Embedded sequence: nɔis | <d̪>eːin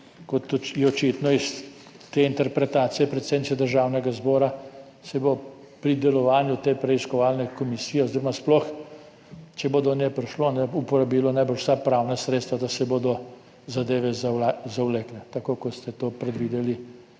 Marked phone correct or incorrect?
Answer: incorrect